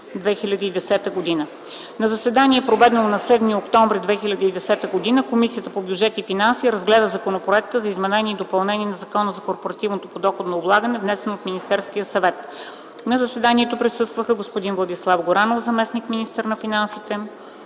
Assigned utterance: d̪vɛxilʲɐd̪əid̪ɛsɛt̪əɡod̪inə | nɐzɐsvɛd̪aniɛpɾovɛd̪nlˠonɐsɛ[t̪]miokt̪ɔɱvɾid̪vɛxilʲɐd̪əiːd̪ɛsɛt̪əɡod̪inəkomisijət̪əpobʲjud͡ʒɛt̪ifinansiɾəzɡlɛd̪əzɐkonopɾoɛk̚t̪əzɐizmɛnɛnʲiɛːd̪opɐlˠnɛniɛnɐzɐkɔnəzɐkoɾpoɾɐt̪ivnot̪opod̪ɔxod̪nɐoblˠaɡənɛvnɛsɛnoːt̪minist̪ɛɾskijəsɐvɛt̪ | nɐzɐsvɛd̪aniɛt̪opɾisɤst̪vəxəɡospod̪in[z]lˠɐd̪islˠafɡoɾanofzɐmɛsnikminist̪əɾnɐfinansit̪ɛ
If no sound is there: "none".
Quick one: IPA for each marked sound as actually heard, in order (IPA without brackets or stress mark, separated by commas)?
d̪, v